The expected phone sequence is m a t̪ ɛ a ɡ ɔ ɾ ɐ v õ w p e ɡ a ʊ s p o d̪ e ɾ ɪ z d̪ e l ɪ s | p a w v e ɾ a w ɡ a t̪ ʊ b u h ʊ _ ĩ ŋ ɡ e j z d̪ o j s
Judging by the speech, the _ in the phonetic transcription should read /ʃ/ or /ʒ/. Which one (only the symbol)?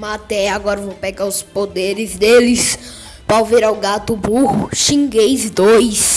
ʃ